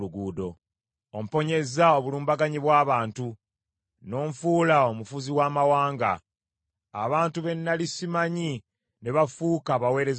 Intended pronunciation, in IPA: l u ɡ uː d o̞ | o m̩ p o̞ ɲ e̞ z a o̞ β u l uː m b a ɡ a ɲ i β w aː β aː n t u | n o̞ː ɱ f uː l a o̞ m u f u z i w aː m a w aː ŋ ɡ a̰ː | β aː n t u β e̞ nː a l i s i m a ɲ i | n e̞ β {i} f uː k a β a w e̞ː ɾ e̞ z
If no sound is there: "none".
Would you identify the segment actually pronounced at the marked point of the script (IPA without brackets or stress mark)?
a